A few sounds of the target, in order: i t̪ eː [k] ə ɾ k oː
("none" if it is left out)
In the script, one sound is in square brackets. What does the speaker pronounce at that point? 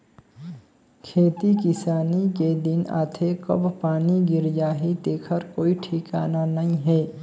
kʰ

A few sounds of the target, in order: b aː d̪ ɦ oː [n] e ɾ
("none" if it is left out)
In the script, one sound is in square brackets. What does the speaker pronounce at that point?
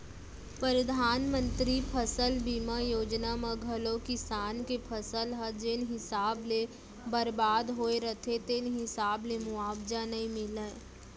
none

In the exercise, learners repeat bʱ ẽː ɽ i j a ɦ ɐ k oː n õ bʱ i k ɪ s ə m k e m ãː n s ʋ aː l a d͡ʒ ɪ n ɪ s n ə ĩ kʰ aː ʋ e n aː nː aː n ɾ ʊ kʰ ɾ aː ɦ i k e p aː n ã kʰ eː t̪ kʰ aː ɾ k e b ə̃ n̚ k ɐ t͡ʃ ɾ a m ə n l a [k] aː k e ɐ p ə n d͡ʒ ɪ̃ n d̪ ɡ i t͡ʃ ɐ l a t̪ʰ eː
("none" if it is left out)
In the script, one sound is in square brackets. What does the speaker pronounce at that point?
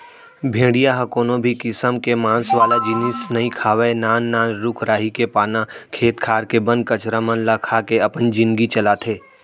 kʰ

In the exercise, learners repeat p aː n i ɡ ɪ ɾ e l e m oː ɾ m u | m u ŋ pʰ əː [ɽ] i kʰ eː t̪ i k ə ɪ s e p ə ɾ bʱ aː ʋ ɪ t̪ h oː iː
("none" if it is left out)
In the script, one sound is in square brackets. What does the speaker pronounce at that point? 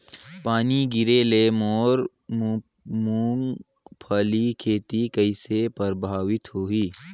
l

